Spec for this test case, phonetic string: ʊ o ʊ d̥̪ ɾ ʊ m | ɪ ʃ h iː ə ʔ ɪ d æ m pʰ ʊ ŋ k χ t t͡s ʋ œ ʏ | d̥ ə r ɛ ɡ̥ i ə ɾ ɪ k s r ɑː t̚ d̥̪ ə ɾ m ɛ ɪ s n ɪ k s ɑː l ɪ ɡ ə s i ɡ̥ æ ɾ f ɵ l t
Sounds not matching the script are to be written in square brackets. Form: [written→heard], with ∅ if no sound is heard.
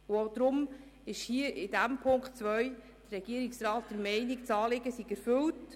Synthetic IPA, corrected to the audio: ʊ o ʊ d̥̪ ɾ ʊ m | ɪ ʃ h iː ə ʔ ɪ d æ m pʰ ʊ ŋ k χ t t͡s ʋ œ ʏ | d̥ ə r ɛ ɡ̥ i ə ɾ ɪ k s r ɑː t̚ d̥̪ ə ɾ m ɛ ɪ [s→∅] n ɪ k [s→t͡s] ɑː l ɪ ɡ ə s i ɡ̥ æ ɾ f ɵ l t